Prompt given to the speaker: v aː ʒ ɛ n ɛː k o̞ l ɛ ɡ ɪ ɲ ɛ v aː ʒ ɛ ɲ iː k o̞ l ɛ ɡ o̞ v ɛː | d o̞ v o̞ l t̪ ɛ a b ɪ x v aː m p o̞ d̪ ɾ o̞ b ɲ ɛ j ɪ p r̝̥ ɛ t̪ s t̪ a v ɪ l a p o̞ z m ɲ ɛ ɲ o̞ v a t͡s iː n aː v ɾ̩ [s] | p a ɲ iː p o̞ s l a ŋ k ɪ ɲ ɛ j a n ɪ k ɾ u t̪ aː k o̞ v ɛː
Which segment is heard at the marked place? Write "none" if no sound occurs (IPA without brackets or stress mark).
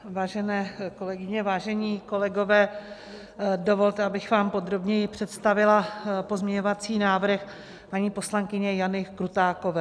x